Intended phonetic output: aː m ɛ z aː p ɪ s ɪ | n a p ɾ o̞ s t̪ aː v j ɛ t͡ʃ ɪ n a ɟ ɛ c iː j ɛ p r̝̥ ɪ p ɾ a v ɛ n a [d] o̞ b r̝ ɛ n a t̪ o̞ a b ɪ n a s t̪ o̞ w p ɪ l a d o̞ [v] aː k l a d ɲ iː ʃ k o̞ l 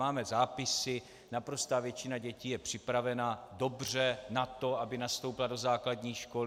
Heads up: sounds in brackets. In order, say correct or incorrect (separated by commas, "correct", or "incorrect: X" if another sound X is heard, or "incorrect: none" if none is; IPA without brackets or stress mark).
correct, incorrect: z